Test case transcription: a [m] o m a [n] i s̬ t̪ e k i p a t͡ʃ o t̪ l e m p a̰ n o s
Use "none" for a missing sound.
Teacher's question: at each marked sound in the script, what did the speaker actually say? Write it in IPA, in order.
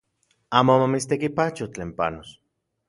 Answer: m, m

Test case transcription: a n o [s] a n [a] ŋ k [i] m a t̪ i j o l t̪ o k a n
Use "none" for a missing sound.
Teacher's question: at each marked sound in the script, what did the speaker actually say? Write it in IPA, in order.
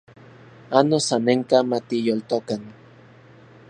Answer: s, e, a

